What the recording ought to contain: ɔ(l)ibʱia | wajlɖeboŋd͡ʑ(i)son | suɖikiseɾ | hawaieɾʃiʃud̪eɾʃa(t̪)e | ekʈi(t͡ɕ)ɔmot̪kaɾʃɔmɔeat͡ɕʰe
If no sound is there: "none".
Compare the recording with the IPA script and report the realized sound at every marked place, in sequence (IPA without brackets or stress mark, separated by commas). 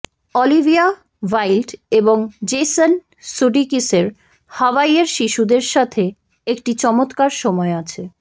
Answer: l, e, t̪ʰ, t͡ɕ